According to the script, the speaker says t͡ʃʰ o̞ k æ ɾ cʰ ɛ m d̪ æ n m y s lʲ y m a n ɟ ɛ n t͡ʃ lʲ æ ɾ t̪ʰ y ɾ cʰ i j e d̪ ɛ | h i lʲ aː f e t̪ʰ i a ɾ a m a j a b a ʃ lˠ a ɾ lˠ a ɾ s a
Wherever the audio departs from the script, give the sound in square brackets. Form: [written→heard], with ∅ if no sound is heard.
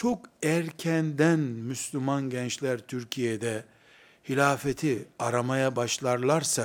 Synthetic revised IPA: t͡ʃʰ o̞ k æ ɾ cʰ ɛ [m→n] d̪ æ n m y s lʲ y m a n ɟ ɛ n t͡ʃ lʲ æ ɾ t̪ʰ y ɾ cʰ i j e d̪ ɛ | h i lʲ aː f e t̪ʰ i a ɾ a m a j a b a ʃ lˠ a ɾ lˠ a ɾ s a